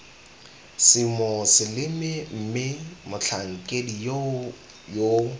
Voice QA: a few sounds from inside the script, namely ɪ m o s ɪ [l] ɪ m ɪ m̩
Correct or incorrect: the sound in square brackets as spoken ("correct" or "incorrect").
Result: correct